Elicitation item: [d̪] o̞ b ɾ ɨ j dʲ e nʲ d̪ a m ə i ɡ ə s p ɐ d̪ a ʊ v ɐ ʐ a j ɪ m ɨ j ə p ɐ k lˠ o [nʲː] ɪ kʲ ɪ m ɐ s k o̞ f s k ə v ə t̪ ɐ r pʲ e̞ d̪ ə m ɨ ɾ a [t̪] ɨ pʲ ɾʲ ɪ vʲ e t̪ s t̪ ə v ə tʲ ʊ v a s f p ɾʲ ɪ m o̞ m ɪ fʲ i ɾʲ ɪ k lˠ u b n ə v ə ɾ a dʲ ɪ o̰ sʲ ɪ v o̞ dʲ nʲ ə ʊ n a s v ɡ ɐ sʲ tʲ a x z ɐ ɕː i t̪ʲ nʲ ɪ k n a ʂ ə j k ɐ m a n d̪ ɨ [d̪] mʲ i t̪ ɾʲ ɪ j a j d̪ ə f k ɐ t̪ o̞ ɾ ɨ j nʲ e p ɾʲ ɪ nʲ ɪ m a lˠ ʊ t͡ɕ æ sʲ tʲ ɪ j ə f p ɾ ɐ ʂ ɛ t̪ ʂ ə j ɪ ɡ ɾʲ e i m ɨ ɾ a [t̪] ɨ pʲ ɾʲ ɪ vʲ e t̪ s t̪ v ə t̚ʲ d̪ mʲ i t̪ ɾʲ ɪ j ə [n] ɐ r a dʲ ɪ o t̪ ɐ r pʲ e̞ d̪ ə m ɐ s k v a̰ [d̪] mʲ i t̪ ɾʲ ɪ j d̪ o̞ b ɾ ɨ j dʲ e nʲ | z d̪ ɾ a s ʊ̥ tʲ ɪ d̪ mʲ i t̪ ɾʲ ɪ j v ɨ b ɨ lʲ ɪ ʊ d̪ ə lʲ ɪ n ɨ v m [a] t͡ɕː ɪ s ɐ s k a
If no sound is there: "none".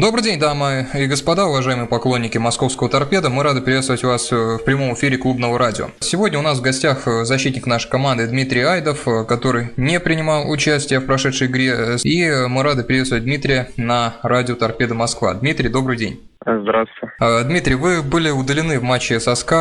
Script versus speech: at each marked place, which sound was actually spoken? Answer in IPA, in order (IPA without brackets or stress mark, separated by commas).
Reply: d̪, nʲː, d̪, d̪, d̪, n, d̪, a